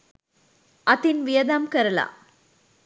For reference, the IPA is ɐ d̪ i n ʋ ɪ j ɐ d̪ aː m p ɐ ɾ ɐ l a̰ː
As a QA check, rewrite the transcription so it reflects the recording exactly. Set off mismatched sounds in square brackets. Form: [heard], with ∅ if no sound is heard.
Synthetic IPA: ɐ [t̪] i n ʋ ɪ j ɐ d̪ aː m [k] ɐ ɾ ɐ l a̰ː